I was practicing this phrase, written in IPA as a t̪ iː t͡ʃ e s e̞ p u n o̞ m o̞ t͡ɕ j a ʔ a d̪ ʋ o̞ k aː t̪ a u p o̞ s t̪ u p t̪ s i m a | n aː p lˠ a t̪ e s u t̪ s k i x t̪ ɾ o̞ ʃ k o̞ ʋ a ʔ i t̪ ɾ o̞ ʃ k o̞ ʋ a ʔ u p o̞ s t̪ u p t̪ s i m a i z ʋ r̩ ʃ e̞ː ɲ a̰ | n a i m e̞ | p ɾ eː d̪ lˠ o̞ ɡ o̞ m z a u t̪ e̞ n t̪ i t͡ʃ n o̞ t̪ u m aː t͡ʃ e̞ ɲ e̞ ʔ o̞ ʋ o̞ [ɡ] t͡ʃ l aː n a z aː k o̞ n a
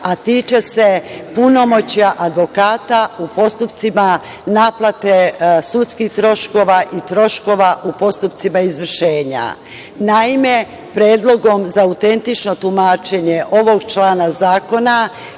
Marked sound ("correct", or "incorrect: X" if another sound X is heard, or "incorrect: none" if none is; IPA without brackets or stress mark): correct